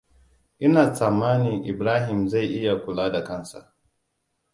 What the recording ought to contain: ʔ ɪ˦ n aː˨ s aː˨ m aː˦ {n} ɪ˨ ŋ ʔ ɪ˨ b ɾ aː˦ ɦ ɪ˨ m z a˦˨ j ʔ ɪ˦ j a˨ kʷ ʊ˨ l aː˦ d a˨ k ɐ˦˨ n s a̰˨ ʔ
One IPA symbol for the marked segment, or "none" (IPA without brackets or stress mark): n